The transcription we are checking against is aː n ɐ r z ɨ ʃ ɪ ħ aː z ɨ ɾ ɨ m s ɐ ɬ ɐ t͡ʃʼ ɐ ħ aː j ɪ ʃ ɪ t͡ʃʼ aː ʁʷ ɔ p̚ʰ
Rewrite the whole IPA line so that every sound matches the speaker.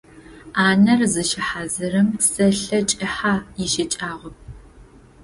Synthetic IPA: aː n ɐ r z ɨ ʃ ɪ ħ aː z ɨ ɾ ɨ m s ɐ ɬ ɐ t͡ʃʼ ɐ ħ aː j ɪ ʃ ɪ t͡ʃʼ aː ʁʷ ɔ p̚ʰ